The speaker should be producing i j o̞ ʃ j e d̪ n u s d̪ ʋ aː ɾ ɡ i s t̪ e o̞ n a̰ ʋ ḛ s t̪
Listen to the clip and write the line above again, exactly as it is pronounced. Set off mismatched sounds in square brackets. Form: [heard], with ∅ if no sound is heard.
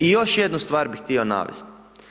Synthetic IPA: i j o̞ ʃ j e d̪ n u s [t̪] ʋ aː ɾ [b] i [x] t̪ [i] o̞ n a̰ ʋ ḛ s t̪